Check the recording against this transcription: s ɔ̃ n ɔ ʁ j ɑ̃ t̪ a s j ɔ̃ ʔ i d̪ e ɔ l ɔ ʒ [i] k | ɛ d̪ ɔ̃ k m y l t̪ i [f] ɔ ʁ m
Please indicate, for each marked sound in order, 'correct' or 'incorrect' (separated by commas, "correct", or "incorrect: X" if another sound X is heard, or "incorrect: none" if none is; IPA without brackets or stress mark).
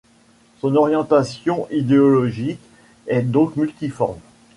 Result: correct, correct